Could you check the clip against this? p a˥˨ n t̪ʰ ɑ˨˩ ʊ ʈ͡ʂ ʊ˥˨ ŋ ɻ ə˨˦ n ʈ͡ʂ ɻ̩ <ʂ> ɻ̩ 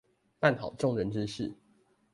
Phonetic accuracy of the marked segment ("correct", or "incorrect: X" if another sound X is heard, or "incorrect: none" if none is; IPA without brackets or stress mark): correct